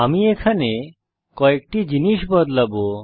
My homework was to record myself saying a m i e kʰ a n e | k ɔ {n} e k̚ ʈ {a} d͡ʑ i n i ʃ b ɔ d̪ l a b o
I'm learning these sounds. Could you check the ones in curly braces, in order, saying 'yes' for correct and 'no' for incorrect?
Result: no, no

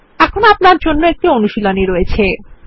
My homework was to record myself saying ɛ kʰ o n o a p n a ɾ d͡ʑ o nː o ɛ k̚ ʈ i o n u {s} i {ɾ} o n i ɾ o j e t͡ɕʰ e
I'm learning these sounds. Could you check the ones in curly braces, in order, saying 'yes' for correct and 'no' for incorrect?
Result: no, no

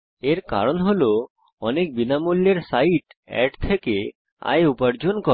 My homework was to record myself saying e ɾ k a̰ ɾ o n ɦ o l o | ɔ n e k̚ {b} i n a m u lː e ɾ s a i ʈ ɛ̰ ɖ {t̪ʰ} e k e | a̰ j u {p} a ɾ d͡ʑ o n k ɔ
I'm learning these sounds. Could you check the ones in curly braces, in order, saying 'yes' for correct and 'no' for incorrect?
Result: yes, yes, yes

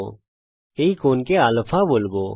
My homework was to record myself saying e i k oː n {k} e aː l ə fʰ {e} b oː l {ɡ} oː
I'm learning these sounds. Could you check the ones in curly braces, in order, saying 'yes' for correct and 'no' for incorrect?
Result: yes, no, no

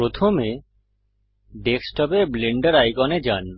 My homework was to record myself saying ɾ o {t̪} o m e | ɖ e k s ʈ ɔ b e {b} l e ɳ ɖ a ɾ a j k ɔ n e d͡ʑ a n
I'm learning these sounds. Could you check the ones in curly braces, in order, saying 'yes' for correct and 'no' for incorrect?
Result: no, yes

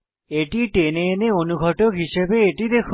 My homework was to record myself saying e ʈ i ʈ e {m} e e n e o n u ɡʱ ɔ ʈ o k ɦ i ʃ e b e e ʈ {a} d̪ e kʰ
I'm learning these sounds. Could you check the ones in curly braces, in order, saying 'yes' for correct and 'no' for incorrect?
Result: no, no

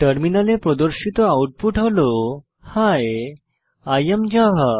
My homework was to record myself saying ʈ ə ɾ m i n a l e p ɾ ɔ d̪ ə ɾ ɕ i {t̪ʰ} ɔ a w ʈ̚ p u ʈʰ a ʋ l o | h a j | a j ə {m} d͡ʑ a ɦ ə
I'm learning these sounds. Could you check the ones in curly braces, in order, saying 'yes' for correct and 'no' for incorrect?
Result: no, yes

